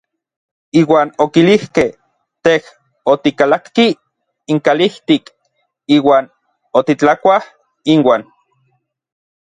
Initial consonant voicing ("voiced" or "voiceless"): voiced